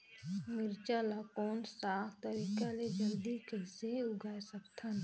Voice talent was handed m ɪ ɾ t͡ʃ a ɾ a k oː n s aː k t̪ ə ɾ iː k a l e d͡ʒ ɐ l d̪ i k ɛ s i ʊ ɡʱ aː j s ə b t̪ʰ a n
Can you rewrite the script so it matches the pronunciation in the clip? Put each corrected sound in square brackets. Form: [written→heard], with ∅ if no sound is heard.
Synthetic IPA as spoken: m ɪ ɾ t͡ʃ a [ɾ→l] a k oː n s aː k t̪ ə ɾ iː k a l e d͡ʒ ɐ l d̪ i k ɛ s [i→e] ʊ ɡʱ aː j s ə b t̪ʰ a n